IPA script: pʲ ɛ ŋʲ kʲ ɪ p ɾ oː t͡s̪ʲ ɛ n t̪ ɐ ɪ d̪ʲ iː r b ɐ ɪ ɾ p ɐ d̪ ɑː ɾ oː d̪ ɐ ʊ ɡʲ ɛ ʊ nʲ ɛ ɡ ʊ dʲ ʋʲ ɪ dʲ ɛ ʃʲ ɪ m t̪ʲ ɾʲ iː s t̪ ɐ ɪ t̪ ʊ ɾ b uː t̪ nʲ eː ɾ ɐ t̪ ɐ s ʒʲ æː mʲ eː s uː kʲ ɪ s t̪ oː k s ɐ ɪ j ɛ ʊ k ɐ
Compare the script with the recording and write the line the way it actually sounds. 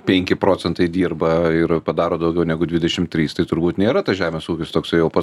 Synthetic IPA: pʲ ɛ ŋʲ kʲ ɪ p ɾ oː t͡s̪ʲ ɛ n t̪ ɐ ɪ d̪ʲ iː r b ɐ ɪ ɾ p ɐ d̪ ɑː ɾ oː d̪ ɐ ʊ ɡʲ ɛ ʊ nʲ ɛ ɡ ʊ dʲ ʋʲ ɪ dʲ ɛ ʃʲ ɪ m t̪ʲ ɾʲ iː s t̪ ɐ ɪ t̪ ʊ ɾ b uː t̪ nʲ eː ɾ ɐ t̪ ɐ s ʒʲ æː mʲ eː s uː kʲ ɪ s t̪ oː k s ɐ ɪ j ɛ ʊ p ɐ

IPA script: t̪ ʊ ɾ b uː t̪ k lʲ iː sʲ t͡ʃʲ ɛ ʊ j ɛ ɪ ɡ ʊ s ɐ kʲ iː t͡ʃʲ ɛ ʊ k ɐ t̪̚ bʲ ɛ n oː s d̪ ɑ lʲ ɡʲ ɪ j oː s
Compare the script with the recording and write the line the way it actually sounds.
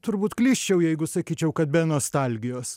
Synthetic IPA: t̪ ʊ ɾ b uː t̪ k lʲ iː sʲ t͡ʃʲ ɛ ʊ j ɛ ɪ ɡ ʊ s ɐ kʲ iː t͡ʃʲ ɛ ʊ k ɐ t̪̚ bʲ ɛ n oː s t̪ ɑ lʲ ɡʲ ɪ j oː s

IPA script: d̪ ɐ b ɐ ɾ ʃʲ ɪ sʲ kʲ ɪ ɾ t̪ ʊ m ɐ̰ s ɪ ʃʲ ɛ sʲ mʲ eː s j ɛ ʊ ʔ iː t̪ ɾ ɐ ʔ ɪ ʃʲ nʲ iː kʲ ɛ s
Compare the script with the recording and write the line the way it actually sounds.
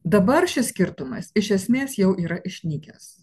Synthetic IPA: d̪ ɐ b ɐ ɾ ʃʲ ɪ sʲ kʲ ɪ ɾ t̪ ʊ m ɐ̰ s ɪ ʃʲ ɛ sʲ mʲ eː s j ɛ ʊ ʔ iː ɾ ɐ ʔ ɪ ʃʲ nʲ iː kʲ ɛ s

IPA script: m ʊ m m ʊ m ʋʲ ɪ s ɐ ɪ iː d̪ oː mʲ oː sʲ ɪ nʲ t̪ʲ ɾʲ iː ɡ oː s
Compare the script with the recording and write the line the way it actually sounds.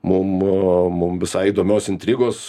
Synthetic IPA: m ʊ m m ʊ m ʋʲ ɪ s ɐ ɪ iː d̪ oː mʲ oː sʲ ɪ nʲ t̪ʲ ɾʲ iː ɡ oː s

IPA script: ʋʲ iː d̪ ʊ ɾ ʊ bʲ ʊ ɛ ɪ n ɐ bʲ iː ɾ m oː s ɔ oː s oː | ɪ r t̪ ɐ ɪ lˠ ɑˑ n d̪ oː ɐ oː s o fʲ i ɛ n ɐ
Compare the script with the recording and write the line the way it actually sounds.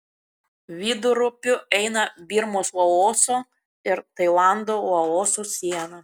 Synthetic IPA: ʋʲ iː d̪ ʊ ɾ ʊ pʲ ʊ ɛ ɪ n ɐ bʲ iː ɾ m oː s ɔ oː s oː | ɪ ɾ t̪ ɐ ɪ lˠ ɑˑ n d̪ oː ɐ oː s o sʲ i ɛ n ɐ

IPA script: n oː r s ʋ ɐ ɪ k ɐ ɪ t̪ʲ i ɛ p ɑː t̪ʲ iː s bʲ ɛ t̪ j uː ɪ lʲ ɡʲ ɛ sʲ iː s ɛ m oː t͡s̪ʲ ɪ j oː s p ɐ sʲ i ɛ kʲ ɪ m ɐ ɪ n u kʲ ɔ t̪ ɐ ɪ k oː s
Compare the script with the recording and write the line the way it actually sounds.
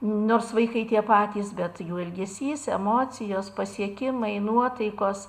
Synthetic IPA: n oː r s ʋ ɐ ɪ k ɐ ɪ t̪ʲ i ɛ p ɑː t̪ʲ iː s bʲ ɛ t̪ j uː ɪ lʲ ɡʲ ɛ sʲ iː s ɛ m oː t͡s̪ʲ ɪ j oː s p ɐ sʲ i ɛ kʲ ɪ m ɐ ɪ n u ɔ t̪ ɐ ɪ k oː s

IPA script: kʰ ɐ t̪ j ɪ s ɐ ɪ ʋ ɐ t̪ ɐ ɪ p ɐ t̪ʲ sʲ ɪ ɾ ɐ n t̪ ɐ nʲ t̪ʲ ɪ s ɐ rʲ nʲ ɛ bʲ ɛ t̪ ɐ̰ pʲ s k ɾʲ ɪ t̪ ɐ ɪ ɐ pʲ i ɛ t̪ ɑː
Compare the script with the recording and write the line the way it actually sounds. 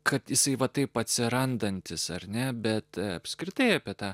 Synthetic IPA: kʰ ɐ t̪ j ɪ s ɐ ɪ ʋ ɐ t̪ ɐ ɪ p ɐ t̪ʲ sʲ ɪ ɾ ɐ n d̪ ɐ nʲ t̪ʲ ɪ s ɐ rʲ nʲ ɛ bʲ ɛ t̪ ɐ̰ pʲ s k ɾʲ ɪ t̪ ɐ ɪ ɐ pʲ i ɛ t̪ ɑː

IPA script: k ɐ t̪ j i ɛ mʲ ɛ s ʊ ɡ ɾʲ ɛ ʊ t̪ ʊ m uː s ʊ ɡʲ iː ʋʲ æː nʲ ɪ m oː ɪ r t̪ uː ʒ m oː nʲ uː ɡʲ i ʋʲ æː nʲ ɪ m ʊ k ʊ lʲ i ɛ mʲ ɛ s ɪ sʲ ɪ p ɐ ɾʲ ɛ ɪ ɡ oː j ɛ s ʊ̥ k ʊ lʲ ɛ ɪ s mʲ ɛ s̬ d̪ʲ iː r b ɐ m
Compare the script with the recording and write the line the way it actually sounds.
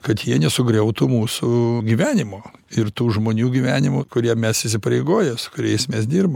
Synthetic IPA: k ɐ t̪ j i ɛ nʲ ɛ s ʊ ɡ ɾʲ ɛ ʊ t̪ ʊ m uː s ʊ ɡʲ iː ʋʲ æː nʲ ɪ m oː ɪ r t̪ uː ʒ m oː nʲ uː ɡʲ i ʋʲ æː nʲ ɪ m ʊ k ʊ ɾʲ i ɛ mʲ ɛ s ɪ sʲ ɪ p ɐ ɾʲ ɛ ɪ ɡ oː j ɛ s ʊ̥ k ʊ ɾʲ ɛ ɪ s mʲ ɛ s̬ d̪ʲ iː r b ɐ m

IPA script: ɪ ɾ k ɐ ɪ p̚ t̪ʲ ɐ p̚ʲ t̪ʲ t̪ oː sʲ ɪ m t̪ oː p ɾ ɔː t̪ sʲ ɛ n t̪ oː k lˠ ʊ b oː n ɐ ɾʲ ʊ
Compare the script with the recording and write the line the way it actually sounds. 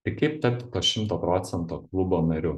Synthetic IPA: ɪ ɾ k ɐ ɪ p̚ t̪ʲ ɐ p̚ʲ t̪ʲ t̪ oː ʃʲ ɪ m t̪ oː p ɾ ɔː t̪ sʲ ɛ n t̪ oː k lˠ ʊ b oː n ɐ ɾʲ ʊ

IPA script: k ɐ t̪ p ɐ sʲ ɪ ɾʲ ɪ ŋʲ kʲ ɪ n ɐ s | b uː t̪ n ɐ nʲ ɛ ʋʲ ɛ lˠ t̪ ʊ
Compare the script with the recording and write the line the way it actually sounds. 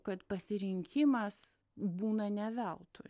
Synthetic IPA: k ɐ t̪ p ɐ sʲ ɪ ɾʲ ɪ ŋʲ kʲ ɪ m ɐ s | b uː n ɐ nʲ ɛ ʋʲ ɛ lˠ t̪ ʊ

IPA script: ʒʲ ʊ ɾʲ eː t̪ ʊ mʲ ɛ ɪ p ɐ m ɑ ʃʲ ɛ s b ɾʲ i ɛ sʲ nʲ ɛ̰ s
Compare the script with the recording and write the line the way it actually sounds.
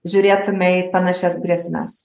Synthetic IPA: ʒʲ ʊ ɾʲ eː t̪ ʊ mʲ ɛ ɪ p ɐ n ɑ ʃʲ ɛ s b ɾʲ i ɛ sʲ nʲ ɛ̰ s

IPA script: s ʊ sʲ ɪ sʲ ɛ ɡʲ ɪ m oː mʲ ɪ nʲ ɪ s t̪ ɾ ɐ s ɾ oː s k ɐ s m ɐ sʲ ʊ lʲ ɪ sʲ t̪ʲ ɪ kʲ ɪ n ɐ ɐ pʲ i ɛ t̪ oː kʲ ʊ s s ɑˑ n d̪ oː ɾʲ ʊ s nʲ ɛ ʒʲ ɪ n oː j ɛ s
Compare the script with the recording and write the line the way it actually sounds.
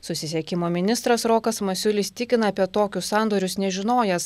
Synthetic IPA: s ʊ sʲ ɪ sʲ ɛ kʲ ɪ m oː mʲ ɪ nʲ ɪ s t̪ ɾ ɐ s ɾ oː k ɐ s m ɐ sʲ ʊ lʲ ɪ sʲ t̪ʲ ɪ kʲ ɪ n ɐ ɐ pʲ i ɛ t̪ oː kʲ ʊ s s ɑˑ n d̪ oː ɾʲ ʊ s nʲ ɛ ʒʲ ɪ n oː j ɛ s

